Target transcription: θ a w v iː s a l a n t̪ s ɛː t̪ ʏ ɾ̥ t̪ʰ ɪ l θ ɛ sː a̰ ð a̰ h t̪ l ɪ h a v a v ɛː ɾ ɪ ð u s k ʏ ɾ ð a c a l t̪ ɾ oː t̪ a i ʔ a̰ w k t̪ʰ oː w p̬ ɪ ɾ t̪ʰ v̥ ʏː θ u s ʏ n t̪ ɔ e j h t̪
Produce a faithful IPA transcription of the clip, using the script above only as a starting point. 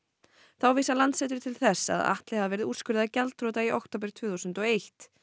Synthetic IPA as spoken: θ a w v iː s a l a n t̪ s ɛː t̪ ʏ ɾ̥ t̪ʰ ɪ l θ ɛ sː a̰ ð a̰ h t̪ l ɪ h a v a v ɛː ɾ ɪ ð u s k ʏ ɾ ð a c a l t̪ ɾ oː t̪ a i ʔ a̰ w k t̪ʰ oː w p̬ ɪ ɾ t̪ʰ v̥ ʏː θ u s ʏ n t̪ ɔ e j h t̪